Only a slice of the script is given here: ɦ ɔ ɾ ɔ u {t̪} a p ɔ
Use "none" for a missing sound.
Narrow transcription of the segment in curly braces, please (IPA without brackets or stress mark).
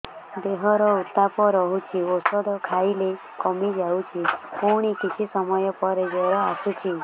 t̪